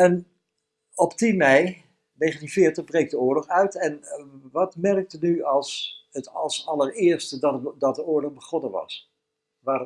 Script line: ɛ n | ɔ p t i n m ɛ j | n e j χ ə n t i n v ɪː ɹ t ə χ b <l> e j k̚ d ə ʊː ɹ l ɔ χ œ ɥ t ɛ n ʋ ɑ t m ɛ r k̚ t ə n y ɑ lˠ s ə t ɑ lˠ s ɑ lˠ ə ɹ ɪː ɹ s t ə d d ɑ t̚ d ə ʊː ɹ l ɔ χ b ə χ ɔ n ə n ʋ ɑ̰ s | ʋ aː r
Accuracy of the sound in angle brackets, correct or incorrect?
incorrect